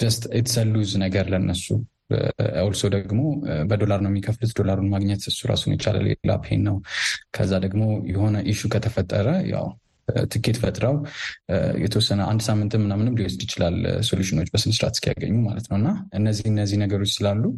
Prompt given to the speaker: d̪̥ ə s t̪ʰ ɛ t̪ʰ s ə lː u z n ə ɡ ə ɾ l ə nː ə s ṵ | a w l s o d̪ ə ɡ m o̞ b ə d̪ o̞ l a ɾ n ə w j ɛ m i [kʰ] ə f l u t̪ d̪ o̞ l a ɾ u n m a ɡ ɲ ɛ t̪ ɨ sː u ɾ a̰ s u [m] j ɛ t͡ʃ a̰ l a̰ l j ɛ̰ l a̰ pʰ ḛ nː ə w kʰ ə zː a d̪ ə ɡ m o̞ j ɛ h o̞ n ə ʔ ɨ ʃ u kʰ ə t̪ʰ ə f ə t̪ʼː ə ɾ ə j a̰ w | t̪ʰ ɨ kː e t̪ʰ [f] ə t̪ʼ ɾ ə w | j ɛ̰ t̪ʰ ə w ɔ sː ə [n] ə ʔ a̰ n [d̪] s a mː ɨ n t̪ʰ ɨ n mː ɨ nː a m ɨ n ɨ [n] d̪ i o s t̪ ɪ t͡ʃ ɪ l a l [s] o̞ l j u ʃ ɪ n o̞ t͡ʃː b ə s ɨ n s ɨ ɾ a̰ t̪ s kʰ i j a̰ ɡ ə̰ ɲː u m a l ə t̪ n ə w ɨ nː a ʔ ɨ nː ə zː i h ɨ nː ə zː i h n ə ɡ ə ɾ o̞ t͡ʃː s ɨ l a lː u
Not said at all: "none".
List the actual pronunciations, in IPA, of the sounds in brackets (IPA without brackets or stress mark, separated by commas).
kʰ, n, f, n, d̪, m, s